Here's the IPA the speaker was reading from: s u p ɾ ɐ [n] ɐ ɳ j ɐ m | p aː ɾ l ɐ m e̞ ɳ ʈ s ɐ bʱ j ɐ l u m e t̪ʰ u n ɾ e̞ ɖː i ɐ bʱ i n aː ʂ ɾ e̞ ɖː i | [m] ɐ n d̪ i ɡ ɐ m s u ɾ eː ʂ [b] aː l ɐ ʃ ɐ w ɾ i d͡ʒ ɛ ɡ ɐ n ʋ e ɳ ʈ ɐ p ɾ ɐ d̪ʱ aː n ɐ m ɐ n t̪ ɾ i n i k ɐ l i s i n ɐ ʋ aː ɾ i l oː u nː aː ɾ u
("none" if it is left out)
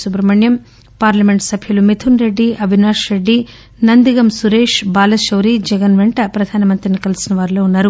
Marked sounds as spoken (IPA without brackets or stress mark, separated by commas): m, n, b